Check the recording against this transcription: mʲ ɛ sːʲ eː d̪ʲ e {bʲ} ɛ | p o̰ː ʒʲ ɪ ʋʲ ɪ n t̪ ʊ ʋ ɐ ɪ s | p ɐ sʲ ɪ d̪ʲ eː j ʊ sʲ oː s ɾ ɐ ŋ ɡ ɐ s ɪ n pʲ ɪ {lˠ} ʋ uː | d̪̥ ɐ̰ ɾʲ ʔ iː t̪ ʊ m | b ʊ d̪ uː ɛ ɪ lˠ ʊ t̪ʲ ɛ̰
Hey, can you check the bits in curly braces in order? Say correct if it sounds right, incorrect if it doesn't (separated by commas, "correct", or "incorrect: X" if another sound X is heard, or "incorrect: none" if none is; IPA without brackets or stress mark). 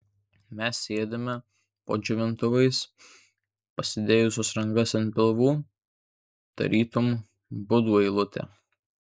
incorrect: mʲ, correct